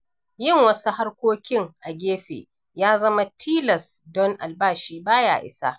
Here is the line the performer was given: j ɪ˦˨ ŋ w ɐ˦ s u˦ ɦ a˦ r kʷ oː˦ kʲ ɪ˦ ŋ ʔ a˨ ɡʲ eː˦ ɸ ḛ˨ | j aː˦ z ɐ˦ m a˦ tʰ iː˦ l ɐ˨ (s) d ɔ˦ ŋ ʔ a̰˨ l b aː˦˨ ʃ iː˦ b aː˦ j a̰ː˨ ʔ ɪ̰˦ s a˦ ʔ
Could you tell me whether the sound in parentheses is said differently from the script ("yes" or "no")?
no